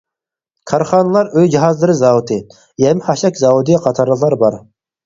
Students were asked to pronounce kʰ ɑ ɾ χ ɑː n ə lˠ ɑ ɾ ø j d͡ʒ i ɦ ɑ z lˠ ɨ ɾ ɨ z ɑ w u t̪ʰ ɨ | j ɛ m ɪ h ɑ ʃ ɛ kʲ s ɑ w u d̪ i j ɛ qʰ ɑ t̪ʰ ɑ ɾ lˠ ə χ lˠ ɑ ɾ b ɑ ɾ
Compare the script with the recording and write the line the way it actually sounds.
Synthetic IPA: kʰ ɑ ɾ χ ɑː n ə lˠ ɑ ɾ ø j d͡ʒ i ɦ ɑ z lˠ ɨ ɾ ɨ z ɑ w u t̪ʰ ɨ | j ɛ m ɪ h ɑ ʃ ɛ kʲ z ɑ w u d̪ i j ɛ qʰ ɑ t̪ʰ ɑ ɾ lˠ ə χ lˠ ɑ ɾ b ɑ ɾ